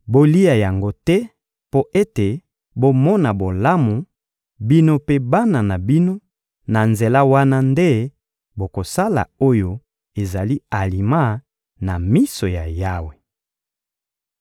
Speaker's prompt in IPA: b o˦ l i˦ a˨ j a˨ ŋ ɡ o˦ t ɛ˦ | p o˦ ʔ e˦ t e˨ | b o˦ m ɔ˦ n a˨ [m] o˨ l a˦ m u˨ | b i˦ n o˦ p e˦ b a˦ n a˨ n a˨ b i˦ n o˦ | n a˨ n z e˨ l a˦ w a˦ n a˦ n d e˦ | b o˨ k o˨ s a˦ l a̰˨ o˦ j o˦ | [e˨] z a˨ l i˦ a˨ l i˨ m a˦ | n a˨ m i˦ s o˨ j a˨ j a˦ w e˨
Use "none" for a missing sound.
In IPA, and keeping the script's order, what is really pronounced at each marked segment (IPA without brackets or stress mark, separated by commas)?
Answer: b, e˨